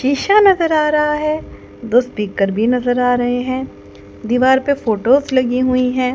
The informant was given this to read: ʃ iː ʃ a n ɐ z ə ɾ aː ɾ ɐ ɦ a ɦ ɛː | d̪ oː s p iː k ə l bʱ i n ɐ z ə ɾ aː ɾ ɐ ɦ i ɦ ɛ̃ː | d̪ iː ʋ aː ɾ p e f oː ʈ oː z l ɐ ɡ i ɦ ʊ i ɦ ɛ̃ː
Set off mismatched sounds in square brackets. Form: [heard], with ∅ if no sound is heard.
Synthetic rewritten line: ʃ iː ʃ a n ɐ z ə ɾ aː ɾ ɐ ɦ a ɦ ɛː | d̪ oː s p iː k ə [ɾ] bʱ i n ɐ z ə ɾ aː ɾ ɐ ɦ [e] ɦ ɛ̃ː | d̪ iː ʋ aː ɾ p e f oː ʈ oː z l ɐ ɡ i ɦ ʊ i ɦ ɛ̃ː